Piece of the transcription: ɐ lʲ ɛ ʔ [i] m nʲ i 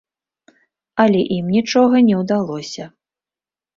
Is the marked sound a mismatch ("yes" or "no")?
no